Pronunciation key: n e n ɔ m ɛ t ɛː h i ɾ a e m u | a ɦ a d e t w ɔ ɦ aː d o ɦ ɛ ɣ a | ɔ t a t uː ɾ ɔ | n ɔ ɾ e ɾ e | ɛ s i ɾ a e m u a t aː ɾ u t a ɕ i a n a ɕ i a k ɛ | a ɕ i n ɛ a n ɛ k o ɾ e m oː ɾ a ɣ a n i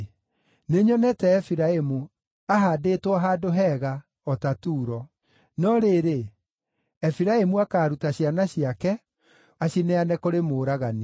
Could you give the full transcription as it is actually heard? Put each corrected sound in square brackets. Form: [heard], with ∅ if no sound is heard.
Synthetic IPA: n e [ɲ] ɔ [n] ɛ t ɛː [f] i ɾ a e m u | a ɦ a d e t w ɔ ɦ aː d o ɦ ɛ ɣ a | ɔ t a t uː ɾ ɔ | n ɔ ɾ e ɾ e | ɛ [f] i ɾ a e m u a [k] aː ɾ u t a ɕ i a n a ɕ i a k ɛ | a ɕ i n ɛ a n ɛ k o ɾ e m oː ɾ a ɣ a n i